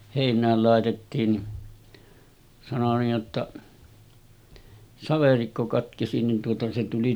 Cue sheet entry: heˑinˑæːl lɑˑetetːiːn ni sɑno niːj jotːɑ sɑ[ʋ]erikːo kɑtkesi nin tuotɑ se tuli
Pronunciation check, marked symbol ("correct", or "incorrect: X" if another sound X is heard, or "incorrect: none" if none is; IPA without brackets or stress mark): correct